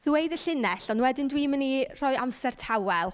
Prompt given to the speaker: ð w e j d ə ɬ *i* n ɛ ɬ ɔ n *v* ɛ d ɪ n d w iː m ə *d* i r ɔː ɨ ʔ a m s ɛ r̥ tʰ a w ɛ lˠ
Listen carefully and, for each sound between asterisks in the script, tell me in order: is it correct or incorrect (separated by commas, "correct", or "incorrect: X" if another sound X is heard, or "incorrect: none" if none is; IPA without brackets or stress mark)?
incorrect: ɪ, incorrect: w, incorrect: n